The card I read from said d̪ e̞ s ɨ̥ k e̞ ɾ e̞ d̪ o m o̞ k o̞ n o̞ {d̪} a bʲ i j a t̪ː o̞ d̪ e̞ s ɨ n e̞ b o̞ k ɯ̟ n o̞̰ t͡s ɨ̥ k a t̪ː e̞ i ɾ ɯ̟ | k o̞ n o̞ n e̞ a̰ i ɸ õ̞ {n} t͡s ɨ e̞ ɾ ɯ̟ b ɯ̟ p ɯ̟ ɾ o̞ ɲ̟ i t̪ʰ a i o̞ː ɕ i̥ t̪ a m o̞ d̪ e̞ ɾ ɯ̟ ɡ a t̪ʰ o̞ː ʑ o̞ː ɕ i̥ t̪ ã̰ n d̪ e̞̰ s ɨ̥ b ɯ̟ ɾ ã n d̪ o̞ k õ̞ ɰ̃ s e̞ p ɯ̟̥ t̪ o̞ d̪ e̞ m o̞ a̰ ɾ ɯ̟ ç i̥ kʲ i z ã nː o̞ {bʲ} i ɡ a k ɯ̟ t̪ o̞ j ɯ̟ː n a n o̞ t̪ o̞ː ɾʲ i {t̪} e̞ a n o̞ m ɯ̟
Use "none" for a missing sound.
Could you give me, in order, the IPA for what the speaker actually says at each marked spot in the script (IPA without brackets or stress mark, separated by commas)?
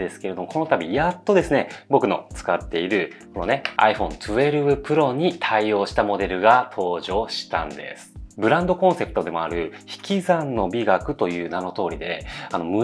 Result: t̪, n, bʲ, d̪